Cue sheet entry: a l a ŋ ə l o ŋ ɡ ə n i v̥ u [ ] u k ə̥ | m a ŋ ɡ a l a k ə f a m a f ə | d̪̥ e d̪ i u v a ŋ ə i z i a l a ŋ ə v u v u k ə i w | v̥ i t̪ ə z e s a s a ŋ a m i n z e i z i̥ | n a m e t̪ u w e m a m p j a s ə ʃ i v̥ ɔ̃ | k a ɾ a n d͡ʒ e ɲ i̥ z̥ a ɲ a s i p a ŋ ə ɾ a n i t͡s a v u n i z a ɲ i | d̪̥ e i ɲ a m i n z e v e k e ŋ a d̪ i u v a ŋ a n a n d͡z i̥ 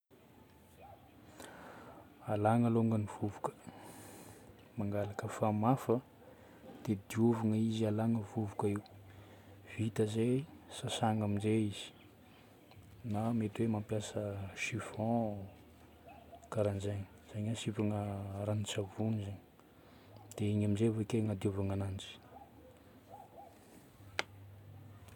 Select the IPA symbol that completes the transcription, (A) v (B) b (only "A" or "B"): A